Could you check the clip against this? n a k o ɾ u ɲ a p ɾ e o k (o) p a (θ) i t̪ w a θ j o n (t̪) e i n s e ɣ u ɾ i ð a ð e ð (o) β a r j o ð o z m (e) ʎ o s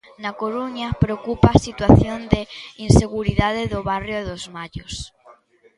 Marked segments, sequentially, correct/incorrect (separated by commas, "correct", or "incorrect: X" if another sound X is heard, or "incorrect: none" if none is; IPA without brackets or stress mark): incorrect: u, incorrect: s, incorrect: d̪, correct, incorrect: a